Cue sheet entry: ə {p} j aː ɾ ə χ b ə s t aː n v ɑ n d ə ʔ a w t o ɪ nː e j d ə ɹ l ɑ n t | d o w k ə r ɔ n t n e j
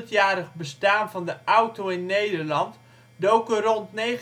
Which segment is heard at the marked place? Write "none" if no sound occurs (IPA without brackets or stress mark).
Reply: t